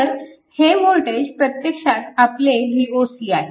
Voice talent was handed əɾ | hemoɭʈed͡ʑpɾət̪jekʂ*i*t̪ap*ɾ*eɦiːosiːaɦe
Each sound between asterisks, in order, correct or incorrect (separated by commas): incorrect, incorrect